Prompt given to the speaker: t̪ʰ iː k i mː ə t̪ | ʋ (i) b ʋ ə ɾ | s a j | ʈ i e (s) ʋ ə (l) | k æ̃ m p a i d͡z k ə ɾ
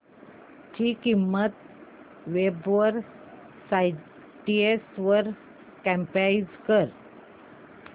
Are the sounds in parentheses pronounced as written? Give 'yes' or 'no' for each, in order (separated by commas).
no, yes, no